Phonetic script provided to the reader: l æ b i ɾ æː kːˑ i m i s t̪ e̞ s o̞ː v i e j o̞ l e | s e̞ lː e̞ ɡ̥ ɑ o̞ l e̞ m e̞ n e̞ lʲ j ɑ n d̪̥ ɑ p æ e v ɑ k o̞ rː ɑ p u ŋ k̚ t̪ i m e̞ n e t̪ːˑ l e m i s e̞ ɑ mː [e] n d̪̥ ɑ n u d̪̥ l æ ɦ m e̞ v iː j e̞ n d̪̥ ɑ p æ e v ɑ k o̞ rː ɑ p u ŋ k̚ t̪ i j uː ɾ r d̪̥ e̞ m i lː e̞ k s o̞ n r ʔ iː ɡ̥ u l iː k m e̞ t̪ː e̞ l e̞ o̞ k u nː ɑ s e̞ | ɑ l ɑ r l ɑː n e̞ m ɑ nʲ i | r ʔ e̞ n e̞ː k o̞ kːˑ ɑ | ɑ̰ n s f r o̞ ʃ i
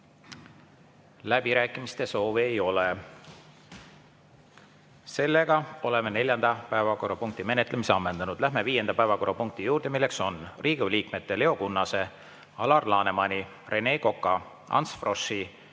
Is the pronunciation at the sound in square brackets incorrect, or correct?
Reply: correct